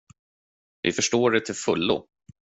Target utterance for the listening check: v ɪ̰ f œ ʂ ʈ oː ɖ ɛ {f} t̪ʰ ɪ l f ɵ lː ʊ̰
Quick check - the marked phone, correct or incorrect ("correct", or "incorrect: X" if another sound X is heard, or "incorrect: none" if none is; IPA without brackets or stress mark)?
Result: incorrect: none